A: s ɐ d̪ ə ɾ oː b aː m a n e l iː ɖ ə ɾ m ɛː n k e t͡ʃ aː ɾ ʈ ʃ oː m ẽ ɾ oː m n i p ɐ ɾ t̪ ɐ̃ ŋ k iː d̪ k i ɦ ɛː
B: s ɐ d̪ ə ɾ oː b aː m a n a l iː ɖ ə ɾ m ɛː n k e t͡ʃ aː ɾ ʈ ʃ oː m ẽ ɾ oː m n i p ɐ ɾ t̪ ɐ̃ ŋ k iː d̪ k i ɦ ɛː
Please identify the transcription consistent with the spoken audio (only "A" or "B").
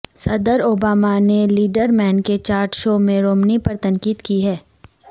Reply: A